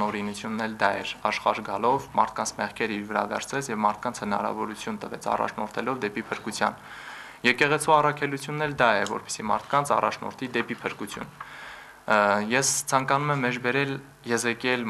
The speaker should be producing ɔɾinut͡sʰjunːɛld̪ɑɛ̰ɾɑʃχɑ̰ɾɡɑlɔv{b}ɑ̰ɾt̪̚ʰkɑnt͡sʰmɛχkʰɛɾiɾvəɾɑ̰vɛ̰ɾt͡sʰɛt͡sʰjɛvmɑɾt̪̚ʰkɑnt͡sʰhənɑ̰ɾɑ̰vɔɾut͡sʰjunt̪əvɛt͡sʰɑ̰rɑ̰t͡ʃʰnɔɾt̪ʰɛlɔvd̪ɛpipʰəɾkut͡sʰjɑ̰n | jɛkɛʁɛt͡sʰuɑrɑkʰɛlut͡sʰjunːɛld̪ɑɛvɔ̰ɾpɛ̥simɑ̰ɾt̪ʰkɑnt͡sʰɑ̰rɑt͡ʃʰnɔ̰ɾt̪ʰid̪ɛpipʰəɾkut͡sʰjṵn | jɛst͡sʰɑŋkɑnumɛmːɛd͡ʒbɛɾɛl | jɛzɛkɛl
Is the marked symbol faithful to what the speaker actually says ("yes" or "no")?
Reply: no